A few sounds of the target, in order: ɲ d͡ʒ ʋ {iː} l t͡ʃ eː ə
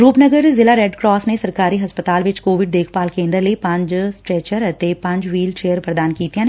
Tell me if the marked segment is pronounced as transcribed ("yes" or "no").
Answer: yes